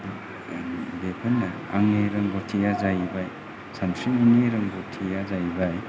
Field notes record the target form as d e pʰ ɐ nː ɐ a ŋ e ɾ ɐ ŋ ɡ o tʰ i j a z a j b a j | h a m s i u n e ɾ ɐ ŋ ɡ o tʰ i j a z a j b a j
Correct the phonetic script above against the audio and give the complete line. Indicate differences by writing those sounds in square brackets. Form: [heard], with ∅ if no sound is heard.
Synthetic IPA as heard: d e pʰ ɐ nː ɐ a ŋ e ɾ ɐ ŋ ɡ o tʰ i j a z a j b a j | [s] a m s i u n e ɾ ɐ ŋ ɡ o tʰ i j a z a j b a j